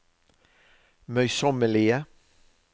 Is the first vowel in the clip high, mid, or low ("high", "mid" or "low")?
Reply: mid